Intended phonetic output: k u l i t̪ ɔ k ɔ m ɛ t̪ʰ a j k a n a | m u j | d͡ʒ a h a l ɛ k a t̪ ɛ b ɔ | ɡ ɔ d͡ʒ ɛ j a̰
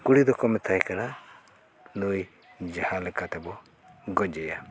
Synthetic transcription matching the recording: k u ɽ i d̪ ɔ k ɔ m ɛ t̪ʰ a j k a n a | n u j | d͡ʒ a h a l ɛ k a t̪ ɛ b ɔ | ɡ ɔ d͡ʒ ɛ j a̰